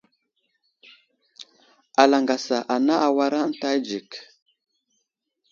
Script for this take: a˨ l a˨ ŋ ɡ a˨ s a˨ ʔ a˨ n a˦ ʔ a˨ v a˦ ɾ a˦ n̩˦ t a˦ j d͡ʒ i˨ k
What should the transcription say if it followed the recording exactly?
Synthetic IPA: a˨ l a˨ ŋ ɡ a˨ s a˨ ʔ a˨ n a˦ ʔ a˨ w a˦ ɾ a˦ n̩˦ t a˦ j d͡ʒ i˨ k